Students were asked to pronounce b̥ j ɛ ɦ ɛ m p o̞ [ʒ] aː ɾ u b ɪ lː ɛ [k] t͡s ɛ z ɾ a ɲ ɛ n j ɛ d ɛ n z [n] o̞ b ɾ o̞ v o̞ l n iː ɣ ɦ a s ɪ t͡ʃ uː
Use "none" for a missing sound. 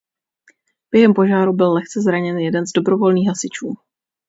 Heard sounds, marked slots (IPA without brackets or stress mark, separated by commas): ʒ, x, d